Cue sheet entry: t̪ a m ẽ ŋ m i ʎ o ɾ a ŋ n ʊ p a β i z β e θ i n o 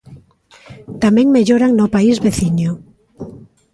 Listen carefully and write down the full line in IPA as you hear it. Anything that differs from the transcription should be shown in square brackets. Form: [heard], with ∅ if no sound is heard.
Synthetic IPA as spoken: t̪ a m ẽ ŋ m [e] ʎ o ɾ a ŋ n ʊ p a [∅] i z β e θ i [ɲ] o